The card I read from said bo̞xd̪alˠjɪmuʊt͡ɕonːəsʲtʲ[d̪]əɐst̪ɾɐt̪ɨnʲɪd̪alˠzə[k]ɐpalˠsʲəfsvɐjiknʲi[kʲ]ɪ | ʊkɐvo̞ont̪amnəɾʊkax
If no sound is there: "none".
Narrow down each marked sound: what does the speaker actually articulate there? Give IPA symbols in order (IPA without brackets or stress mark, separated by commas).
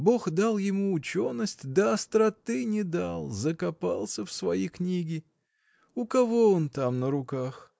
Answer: d̪, k, ɡʲ